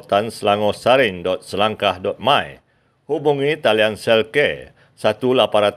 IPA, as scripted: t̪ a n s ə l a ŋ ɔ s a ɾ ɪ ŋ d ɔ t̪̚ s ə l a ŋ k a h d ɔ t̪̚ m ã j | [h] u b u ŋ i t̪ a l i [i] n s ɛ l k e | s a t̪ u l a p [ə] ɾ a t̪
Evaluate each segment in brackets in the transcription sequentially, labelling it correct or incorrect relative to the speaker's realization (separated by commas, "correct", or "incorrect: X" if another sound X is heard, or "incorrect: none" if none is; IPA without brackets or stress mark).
correct, incorrect: a, incorrect: a